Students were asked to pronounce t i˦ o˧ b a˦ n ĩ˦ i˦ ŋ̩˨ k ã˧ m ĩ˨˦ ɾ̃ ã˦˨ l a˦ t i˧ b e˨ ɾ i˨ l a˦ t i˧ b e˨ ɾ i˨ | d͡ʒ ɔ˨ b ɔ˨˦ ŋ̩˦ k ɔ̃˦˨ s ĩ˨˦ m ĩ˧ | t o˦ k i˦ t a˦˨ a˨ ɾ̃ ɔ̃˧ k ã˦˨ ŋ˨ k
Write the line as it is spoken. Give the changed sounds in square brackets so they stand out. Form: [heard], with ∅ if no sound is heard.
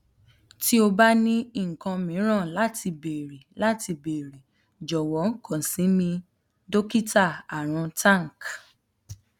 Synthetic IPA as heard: t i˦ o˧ b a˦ n ĩ˦ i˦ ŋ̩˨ k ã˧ m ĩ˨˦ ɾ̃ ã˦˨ l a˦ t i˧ b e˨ ɾ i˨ l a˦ t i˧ b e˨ ɾ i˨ | d͡ʒ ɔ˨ [w] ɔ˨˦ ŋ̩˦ k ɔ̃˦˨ s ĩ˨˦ m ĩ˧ | [d] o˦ k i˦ t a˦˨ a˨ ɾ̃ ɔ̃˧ [t] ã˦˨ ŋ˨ k